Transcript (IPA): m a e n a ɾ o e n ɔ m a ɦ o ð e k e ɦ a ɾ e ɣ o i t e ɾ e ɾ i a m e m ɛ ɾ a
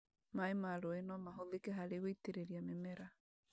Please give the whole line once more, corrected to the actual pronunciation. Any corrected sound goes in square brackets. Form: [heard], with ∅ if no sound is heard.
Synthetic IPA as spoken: m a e [m] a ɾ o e n ɔ m a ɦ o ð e k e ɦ a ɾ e ɣ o i t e ɾ e ɾ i a m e m ɛ ɾ a